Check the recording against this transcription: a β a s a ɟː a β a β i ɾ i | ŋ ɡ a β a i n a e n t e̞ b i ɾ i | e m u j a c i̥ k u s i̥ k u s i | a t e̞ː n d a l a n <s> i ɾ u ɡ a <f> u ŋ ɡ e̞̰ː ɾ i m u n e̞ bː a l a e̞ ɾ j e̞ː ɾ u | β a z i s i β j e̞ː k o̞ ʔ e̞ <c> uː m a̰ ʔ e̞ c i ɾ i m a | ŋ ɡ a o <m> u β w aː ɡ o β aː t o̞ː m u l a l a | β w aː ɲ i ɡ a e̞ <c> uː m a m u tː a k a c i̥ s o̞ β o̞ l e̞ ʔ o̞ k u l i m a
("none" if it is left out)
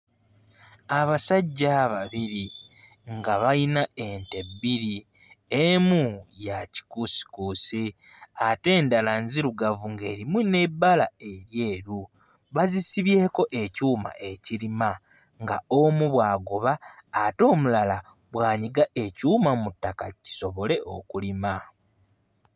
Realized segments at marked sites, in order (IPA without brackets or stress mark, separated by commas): z, v, c, m, c